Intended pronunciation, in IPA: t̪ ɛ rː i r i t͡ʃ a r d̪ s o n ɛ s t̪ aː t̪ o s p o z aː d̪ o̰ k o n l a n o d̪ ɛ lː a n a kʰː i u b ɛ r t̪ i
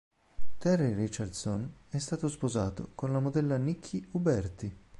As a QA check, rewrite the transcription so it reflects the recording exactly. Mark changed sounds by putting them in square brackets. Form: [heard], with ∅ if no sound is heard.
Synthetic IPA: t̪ ɛ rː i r i t͡ʃ a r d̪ s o n ɛ s t̪ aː t̪ o s p o z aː [t̪] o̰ k o n l a [m] o d̪ ɛ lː a n [i] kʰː i u b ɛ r t̪ i